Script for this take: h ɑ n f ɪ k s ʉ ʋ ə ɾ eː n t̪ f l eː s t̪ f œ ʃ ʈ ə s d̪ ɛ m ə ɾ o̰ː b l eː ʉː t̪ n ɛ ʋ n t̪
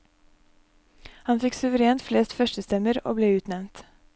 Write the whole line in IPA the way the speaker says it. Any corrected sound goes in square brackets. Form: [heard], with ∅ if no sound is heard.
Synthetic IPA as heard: h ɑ n f ɪ k s ʉ ʋ ə ɾ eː n t̪ f l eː s t̪ f œ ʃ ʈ ə s [t̪] ɛ m ə ɾ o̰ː b l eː ʉː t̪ n ɛ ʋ n t̪